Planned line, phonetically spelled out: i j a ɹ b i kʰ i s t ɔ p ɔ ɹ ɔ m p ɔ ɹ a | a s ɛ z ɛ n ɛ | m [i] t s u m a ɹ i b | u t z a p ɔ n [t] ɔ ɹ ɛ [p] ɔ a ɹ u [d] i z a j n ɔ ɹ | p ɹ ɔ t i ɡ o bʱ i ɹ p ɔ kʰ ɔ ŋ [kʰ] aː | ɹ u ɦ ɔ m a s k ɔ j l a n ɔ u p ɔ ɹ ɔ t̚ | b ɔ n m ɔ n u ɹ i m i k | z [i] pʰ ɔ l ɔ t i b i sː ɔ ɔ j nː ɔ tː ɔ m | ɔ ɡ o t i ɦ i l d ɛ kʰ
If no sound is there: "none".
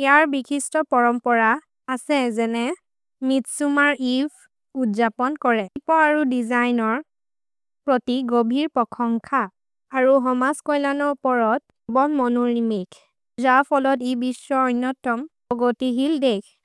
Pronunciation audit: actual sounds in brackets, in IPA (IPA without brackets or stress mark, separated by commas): i, k, p, d, kʰ, a